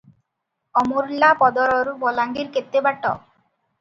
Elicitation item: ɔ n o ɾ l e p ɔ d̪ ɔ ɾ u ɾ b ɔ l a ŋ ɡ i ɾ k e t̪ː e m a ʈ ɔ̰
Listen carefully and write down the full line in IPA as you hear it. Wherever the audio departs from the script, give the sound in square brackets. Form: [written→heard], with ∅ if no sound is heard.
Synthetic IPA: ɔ [n→m] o ɾ l [e→a] p ɔ d̪ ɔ ɾ [u→ɔ] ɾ b ɔ l a ŋ ɡ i ɾ k e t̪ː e [m→b] a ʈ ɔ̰